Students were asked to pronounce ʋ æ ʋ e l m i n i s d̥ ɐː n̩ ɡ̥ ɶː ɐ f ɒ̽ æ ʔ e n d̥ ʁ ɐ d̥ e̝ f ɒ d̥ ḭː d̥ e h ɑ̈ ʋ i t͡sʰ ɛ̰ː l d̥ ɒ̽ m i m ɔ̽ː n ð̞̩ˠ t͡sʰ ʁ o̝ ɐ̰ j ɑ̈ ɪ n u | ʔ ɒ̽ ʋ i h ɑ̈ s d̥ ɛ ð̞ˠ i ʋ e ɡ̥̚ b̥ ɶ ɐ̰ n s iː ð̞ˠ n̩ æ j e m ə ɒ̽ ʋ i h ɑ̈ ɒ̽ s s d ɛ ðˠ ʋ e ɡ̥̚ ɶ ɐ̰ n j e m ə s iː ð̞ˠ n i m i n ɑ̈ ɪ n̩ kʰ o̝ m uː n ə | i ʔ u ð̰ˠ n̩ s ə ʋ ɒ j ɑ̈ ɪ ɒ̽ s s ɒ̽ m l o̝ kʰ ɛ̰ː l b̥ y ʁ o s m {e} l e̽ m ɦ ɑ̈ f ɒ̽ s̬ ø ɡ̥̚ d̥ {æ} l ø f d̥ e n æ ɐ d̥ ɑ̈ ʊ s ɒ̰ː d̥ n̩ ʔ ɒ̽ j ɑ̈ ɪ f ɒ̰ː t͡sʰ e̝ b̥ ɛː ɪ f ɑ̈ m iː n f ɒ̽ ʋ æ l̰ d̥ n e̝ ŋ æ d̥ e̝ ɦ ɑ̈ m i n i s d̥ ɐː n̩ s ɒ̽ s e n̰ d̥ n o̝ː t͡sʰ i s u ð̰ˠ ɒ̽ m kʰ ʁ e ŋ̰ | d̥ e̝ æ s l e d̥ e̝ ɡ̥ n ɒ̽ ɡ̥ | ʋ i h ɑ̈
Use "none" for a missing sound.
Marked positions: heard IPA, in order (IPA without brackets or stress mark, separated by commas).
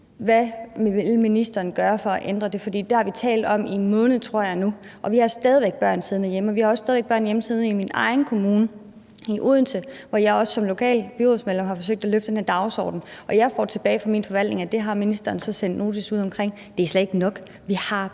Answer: e, æ